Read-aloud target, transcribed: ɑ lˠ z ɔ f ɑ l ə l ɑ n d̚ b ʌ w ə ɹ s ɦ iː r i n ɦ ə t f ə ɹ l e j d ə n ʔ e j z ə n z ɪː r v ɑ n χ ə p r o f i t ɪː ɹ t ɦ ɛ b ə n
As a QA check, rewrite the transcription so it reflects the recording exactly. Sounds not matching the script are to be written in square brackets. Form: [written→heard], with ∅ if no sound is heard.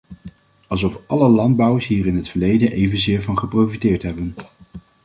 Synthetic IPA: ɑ lˠ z ɔ f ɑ l ə l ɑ n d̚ b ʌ w ə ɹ s ɦ iː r [i→ɪ] n ɦ ə t f ə ɹ l e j d ə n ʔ e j [z→v] ə n z ɪː [r→ɹ] v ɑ n χ ə p r o f i t ɪː ɹ t ɦ ɛ b ə n

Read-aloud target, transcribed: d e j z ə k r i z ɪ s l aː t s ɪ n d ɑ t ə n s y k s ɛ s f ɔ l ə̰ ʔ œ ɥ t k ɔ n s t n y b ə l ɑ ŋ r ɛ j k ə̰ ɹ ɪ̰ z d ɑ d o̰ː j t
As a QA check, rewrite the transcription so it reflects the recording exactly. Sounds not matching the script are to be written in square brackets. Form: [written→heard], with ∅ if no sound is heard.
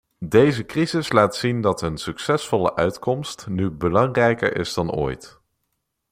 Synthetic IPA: d e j z ə k r i z ɪ s l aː t s [ɪ→i] n d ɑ t ə n s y k s ɛ s f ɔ l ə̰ ʔ œ ɥ t k ɔ [n→m] s t n y b ə l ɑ ŋ r ɛ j k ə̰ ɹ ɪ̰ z d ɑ [d→n] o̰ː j t

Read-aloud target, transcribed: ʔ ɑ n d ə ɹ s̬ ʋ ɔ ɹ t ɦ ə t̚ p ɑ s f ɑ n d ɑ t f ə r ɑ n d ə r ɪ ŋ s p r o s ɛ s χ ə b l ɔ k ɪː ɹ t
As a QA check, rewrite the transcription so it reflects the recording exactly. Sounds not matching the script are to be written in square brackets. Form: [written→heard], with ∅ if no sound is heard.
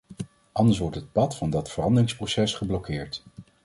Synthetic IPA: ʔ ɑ n d ə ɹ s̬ ʋ ɔ ɹ t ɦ ə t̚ p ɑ [s→t] f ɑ n d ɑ t f ə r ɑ n d ə r ɪ ŋ s p r o s ɛ s χ ə b l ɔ k ɪː ɹ t

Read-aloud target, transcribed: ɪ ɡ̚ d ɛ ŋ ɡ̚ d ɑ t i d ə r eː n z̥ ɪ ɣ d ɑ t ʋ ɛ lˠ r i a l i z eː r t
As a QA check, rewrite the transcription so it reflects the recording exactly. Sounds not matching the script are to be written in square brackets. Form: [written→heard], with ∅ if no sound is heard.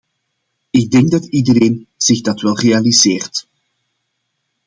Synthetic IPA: ɪ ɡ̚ d ɛ ŋ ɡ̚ d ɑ t i d ə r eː n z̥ ɪ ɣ d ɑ t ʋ ɛ lˠ r [i→e] a l i z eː r t

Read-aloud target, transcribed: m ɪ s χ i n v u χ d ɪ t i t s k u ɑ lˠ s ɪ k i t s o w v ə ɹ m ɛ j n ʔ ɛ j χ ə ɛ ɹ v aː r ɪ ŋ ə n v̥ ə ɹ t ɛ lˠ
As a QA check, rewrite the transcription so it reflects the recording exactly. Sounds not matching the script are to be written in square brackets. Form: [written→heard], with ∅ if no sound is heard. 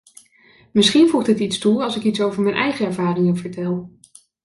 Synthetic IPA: m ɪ s χ i n v u χ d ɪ t i t s [k→t] u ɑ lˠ s ɪ k i t s o w v ə ɹ m ɛ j n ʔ ɛ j χ ə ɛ ɹ v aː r ɪ ŋ ə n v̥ ə ɹ t ɛ lˠ

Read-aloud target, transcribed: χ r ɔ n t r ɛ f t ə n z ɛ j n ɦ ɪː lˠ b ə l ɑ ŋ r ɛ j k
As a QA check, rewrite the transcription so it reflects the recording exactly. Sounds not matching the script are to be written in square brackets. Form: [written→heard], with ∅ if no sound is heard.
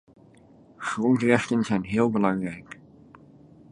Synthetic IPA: χ r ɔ n t r ɛ [f→χ] t ə n z ɛ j n ɦ ɪː lˠ b ə l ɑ ŋ r ɛ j k

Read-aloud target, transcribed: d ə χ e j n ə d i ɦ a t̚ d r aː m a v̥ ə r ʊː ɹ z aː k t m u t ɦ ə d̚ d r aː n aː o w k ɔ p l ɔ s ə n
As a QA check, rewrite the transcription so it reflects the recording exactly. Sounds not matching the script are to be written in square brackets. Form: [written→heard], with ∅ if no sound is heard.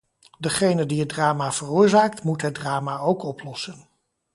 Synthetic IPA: d ə χ e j n ə d i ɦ [a→ə] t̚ d r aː m a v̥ ə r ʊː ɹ z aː k t m u t ɦ ə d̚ d r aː [n→m] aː o w k ɔ p l ɔ s ə n

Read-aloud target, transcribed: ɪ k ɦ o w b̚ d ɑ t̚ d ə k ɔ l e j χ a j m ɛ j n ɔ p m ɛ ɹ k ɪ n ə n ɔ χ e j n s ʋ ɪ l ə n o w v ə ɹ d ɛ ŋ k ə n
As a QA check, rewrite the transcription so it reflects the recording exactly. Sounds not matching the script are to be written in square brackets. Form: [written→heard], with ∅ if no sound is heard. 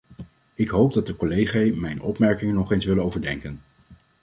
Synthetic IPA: ɪ k ɦ o w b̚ d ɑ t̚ d ə k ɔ l e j χ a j m ɛ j n ɔ p m ɛ ɹ k ɪ [n→ŋ] ə n ɔ χ e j n s ʋ ɪ l ə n o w v ə ɹ d ɛ ŋ k ə n

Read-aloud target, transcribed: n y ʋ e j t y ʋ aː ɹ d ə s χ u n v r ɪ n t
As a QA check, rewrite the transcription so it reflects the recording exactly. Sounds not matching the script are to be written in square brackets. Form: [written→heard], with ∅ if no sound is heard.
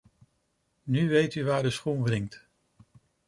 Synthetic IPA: n y ʋ e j t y ʋ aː ɹ d ə s χ u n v r ɪ [n→ŋ] t

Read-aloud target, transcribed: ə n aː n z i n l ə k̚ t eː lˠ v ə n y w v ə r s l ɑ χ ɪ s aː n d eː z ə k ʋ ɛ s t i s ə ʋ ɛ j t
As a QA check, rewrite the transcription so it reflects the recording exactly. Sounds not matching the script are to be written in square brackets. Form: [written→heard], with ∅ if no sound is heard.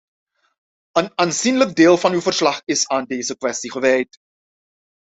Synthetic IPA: ə n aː n z i n l ə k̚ [t→d] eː lˠ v [ə→ɑ] n y w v ə r s l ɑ χ ɪ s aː n d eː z ə k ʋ ɛ s t i [s→χ] ə ʋ ɛ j t

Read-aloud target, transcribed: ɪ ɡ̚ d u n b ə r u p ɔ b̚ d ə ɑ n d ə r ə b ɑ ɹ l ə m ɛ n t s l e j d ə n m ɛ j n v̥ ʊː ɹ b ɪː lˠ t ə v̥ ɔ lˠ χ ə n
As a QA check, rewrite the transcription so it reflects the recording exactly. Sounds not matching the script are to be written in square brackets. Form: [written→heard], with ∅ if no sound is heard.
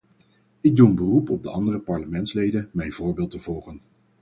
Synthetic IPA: ɪ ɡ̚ d u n b ə r u p ɔ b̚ d ə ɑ n d ə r ə [b→p] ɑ ɹ l ə m ɛ n t s l e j d ə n m ɛ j n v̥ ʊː ɹ b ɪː lˠ t ə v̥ ɔ lˠ χ ə n

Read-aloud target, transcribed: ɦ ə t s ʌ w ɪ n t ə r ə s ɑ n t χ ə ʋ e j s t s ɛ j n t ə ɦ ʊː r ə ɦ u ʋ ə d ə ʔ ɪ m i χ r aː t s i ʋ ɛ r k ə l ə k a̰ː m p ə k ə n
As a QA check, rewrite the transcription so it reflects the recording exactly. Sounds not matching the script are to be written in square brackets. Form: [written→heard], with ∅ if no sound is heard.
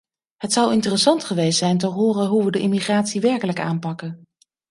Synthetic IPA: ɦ ə t s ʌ w ɪ n t ə r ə s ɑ n t χ ə ʋ e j s t s ɛ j n t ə ɦ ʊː r ə ɦ u ʋ ə d ə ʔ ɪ m i χ r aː t s i ʋ ɛ [r→ɹ] k ə l ə k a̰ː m p [ə→ɑ] k ə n

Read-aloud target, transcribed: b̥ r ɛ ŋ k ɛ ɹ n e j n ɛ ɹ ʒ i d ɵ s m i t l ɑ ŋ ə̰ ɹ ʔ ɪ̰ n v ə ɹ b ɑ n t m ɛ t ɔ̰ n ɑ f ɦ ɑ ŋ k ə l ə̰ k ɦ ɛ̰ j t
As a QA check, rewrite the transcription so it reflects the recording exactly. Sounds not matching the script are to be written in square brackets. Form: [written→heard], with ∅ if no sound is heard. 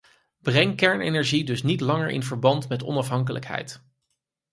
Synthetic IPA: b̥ r ɛ ŋ k ɛ ɹ n e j n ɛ ɹ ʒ i d ɵ s [m→n] i t l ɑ ŋ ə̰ ɹ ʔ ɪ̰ n v ə ɹ b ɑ n t m ɛ t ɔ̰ n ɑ f ɦ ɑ ŋ k ə l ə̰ k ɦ ɛ̰ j t

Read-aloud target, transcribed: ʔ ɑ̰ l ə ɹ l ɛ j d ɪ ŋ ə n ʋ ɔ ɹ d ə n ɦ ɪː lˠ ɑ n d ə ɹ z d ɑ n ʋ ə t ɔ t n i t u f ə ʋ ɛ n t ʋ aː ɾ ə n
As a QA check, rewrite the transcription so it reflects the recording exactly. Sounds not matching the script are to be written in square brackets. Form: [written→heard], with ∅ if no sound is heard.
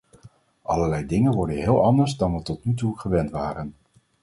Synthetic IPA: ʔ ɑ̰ l ə ɹ l ɛ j d ɪ ŋ ə n ʋ ɔ ɹ d ə n ɦ ɪː lˠ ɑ n d ə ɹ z d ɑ n ʋ ə t ɔ t n [i→y] t u [f→χ] ə ʋ ɛ n t ʋ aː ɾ ə n

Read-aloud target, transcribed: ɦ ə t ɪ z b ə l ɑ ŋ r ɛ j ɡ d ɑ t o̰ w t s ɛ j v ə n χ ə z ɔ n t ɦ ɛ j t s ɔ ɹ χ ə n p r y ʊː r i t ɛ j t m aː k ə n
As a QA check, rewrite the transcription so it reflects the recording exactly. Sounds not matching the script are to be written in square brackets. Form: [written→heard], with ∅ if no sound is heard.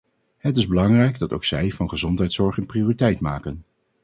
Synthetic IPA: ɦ ə t ɪ z b ə l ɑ ŋ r ɛ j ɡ d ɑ t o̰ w [t→k] s ɛ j v [ə→ɑ] n χ ə z ɔ n t ɦ ɛ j t s ɔ ɹ χ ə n p r [y→i] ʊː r i t ɛ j t m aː k ə n

